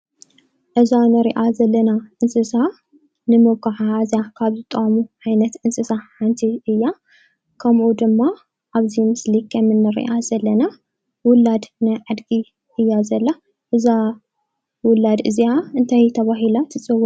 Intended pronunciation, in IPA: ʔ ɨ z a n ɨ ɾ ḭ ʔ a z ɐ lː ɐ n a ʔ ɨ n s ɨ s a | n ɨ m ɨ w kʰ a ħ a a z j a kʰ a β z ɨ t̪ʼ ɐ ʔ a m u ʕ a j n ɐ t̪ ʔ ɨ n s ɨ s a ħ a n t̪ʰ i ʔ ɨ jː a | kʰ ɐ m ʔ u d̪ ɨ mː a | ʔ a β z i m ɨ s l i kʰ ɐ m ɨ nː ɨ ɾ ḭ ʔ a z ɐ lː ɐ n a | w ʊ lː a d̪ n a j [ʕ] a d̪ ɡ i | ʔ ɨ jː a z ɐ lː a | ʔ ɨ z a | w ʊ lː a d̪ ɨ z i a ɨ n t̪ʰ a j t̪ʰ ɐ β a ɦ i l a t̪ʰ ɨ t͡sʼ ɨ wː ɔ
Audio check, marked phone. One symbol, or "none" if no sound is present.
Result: ʕ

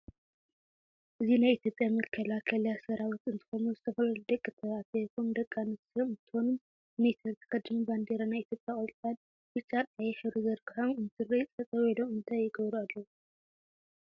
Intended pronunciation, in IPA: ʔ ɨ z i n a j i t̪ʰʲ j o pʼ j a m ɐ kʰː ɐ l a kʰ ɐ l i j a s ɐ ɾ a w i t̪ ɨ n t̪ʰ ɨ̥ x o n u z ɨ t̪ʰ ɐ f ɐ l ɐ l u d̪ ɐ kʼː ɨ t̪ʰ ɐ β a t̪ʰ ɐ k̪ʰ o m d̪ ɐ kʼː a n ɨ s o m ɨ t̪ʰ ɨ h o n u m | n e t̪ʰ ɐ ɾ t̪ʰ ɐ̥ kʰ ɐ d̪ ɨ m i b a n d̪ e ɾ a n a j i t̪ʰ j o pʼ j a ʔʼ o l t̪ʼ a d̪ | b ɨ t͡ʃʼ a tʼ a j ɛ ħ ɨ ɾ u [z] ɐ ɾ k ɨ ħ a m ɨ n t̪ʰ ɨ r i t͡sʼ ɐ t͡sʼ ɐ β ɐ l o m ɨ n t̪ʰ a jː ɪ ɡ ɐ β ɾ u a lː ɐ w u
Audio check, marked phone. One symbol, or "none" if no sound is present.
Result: z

